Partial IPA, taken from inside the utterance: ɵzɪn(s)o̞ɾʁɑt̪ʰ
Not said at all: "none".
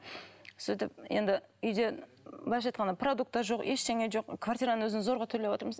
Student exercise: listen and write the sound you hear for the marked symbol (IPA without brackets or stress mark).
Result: z